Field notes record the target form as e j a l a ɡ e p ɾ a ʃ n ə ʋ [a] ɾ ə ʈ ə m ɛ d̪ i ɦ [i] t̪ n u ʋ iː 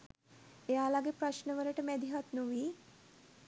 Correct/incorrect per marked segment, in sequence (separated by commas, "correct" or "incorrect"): incorrect, incorrect